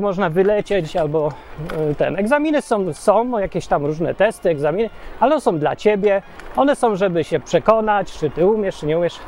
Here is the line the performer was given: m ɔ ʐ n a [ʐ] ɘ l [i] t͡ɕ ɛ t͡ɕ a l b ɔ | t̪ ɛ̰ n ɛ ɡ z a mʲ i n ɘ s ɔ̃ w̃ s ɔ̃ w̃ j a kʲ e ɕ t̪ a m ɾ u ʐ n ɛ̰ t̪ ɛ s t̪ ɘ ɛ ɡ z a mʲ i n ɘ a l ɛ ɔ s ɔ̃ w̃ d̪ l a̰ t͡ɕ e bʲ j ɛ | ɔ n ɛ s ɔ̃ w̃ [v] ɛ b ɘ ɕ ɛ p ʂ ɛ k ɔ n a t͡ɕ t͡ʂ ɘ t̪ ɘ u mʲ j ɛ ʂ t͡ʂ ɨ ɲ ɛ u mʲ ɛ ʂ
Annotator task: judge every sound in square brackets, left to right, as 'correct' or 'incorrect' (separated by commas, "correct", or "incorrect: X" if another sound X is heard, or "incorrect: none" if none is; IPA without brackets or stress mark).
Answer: incorrect: v, incorrect: ɛ, incorrect: ʐ